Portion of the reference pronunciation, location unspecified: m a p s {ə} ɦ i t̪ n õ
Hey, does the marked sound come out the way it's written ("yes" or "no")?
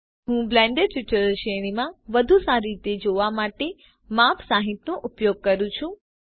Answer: no